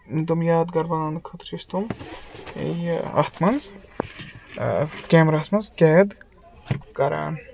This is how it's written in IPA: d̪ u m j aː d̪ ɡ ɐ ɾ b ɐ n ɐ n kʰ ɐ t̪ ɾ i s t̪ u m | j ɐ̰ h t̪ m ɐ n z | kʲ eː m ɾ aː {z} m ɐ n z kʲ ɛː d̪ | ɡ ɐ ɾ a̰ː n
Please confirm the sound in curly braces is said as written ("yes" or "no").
no